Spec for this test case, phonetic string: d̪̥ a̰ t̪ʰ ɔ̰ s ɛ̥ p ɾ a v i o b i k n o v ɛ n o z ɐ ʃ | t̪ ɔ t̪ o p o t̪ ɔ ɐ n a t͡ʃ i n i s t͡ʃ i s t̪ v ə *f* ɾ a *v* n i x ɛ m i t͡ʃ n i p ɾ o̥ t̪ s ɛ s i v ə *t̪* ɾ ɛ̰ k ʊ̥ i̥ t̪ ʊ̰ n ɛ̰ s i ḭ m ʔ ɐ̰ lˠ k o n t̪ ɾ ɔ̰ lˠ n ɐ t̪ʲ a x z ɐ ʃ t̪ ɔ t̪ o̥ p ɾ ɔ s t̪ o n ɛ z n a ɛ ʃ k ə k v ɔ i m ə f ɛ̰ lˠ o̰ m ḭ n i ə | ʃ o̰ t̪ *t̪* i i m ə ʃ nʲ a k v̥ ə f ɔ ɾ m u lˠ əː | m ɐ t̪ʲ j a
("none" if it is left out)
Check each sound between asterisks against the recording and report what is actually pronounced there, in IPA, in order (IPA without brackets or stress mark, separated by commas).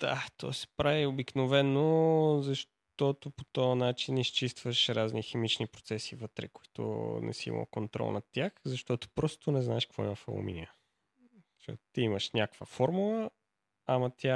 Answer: ʃ, z, t̪, t̪